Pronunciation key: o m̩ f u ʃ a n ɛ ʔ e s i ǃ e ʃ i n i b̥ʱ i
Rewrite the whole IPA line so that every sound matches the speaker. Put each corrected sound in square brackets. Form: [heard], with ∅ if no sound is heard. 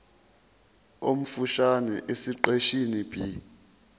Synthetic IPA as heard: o m̩ f u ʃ a n ɛ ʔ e s i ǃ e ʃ i n i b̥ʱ i